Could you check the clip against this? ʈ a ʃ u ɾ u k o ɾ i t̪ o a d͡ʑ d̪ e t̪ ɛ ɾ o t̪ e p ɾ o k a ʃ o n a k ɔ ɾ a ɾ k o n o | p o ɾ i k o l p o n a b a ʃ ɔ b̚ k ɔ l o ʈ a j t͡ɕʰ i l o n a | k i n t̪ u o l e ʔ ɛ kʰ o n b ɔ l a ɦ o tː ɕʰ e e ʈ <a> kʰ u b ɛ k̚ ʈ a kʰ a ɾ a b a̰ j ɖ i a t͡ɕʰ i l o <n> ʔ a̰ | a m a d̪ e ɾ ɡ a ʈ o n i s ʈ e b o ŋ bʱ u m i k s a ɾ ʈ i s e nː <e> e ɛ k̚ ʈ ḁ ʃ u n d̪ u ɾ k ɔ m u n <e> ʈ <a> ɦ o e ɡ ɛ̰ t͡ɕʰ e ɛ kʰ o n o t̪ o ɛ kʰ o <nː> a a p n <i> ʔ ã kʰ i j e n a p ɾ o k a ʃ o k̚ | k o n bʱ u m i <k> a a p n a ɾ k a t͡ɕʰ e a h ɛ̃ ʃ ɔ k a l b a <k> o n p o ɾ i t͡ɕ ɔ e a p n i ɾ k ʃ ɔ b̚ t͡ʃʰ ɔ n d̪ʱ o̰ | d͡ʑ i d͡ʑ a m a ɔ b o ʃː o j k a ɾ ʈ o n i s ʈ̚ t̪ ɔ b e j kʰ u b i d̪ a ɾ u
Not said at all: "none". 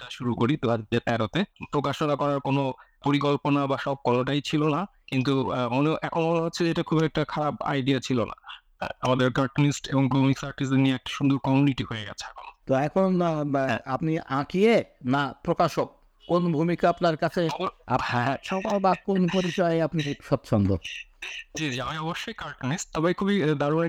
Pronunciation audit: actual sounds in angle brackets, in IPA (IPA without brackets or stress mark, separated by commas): a, n, i, i, i, n, i, k, k